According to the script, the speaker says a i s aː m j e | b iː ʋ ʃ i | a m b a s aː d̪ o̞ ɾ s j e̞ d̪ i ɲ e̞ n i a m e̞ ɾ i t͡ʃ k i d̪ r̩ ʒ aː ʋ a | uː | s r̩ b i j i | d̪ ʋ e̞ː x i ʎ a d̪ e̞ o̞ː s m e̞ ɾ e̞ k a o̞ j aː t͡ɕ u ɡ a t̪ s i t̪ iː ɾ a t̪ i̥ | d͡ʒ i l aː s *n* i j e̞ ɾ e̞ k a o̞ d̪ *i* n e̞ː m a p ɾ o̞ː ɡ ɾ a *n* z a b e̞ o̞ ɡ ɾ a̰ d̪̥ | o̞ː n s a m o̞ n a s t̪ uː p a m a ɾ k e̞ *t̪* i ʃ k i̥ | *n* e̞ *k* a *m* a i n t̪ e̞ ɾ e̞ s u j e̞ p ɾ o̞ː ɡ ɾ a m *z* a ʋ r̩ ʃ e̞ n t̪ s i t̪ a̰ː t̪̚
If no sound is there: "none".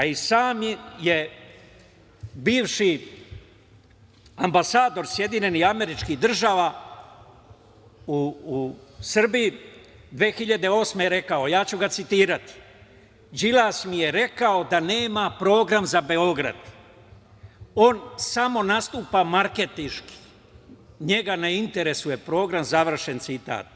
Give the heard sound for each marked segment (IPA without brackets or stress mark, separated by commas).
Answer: m, a, m, t̪, ɲ, ɡ, n, z